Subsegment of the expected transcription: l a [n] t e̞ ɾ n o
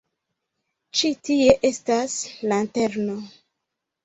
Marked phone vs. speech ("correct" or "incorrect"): correct